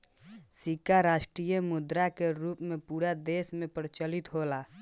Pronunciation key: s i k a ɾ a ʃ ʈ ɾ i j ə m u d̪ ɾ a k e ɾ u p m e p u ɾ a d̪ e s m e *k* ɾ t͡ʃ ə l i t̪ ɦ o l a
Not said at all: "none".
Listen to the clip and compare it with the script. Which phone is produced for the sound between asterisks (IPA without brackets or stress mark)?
p